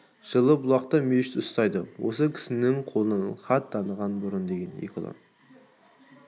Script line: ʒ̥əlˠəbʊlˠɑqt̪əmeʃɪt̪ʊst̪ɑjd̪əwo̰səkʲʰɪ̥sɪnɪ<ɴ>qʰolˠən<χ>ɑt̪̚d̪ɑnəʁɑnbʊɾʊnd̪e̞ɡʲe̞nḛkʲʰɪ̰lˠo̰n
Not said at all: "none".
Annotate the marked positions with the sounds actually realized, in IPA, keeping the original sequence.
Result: ŋ, χ

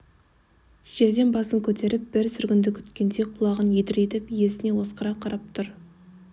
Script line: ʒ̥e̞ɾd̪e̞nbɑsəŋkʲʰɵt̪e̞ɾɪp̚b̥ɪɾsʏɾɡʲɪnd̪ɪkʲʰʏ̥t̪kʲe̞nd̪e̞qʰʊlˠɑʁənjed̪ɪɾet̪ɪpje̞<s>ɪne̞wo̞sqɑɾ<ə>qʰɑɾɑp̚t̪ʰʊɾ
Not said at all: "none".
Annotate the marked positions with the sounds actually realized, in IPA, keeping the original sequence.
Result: s, ɑ

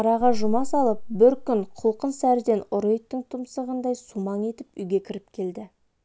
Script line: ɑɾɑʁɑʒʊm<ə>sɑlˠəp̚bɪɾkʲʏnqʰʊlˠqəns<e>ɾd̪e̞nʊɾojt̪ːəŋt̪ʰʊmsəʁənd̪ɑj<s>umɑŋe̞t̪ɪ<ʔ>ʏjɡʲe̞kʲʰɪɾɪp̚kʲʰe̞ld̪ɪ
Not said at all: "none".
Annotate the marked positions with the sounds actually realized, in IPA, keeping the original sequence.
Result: ɑ, æ, s, p

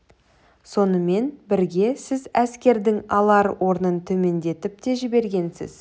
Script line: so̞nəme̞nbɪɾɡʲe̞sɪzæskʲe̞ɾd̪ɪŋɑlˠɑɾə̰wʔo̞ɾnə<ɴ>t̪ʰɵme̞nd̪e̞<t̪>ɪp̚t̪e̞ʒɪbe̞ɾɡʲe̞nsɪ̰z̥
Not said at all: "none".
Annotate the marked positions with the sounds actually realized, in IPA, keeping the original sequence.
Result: n, t̪

